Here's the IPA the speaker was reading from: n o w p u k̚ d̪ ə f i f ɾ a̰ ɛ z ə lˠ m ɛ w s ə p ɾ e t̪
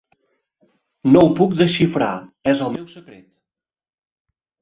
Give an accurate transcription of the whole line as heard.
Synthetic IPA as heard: n o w p u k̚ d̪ ə ʃ i f ɾ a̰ ɛ z ə lˠ m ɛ w s ə k ɾ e t̪